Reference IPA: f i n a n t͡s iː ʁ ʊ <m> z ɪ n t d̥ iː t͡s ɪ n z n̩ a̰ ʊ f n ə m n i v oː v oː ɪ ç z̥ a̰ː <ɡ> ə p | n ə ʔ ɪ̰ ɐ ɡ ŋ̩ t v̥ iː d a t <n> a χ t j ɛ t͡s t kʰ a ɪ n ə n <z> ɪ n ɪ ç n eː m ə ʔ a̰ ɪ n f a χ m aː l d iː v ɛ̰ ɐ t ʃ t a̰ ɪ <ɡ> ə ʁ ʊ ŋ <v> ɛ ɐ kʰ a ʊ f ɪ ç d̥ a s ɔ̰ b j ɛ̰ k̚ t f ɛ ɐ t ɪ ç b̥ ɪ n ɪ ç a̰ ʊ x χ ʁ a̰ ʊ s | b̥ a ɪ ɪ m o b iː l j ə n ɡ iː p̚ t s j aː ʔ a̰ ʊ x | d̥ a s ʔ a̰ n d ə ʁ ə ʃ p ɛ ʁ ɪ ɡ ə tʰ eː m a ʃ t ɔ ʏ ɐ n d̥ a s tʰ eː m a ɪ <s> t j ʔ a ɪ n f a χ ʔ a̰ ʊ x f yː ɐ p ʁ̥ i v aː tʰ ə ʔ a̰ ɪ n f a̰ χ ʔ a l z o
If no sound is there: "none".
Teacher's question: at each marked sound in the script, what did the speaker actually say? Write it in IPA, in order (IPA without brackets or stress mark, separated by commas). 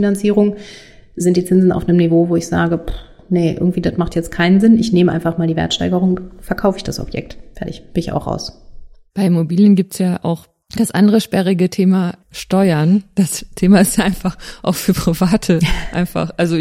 ŋ, ɡ, m, z, ɡ, f, s